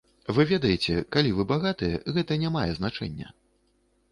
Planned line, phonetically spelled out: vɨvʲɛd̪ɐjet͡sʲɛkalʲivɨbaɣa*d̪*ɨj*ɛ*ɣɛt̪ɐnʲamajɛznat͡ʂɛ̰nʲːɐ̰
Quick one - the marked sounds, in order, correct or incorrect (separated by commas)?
incorrect, correct